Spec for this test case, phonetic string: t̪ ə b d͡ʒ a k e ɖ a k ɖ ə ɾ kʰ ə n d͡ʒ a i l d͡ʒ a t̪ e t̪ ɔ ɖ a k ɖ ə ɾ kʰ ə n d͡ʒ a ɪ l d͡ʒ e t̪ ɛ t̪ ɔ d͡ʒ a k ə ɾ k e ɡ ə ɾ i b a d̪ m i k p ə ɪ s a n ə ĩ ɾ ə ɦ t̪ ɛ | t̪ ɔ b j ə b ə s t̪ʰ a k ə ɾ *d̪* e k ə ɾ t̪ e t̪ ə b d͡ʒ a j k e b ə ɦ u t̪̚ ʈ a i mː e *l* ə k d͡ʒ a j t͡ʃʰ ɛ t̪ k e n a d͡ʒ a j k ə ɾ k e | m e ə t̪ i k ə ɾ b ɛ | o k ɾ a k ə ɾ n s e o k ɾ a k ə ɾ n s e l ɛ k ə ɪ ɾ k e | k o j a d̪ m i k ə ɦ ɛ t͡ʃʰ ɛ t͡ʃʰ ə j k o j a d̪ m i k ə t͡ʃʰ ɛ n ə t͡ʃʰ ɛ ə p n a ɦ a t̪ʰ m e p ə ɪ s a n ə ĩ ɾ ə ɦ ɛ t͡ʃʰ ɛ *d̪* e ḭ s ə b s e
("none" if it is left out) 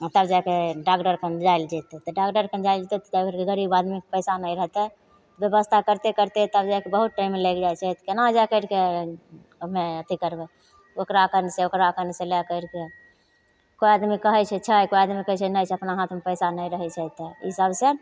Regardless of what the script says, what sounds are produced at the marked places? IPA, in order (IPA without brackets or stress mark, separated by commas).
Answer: t̪, l, t̪